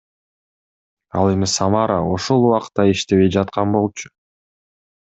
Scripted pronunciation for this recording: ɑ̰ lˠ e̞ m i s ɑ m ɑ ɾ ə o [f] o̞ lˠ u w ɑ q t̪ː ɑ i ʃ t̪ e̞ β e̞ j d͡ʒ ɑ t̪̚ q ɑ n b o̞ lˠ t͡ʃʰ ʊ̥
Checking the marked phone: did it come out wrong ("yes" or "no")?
yes